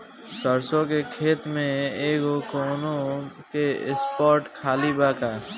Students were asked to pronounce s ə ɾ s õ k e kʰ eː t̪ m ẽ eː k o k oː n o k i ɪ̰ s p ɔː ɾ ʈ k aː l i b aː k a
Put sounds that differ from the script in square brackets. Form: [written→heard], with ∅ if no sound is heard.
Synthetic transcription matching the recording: s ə ɾ s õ k e kʰ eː t̪ m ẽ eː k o k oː n o k [i→e] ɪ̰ s p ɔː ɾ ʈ [k→kʰ] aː l i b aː k a